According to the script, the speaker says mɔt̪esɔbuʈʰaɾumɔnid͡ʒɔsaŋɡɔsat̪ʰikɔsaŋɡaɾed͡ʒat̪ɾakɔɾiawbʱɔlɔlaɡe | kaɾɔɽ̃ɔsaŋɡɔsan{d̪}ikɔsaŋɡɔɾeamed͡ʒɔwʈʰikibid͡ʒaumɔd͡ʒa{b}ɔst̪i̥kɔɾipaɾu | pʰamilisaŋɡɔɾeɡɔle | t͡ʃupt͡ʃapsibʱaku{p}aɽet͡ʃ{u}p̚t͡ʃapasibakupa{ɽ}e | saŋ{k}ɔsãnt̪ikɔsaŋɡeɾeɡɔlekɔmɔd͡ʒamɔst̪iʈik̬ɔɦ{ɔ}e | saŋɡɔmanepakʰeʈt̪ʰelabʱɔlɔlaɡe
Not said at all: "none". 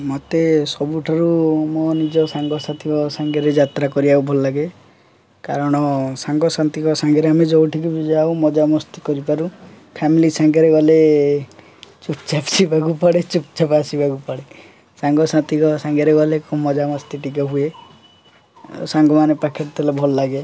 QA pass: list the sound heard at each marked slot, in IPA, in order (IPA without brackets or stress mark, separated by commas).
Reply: t̪, m, p, u, ɽ, ɡ, u